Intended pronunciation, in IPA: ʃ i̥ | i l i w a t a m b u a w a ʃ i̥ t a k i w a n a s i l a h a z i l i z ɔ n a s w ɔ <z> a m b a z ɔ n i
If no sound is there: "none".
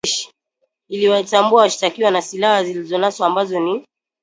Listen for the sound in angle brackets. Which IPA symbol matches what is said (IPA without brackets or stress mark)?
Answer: none